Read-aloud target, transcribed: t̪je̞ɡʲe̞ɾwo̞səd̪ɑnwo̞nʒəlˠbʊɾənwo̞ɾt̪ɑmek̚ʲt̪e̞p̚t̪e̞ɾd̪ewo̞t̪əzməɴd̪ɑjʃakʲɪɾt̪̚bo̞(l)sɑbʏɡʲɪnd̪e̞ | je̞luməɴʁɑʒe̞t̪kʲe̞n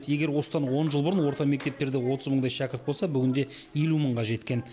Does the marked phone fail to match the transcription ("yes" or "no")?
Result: no